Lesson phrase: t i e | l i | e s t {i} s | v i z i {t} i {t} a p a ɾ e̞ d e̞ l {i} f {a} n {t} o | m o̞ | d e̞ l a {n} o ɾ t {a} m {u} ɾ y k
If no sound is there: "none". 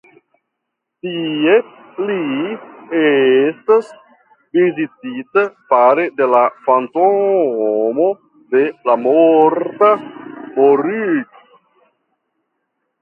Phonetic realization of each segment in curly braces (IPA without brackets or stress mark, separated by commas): a, t, t, a, a, t, m, a, o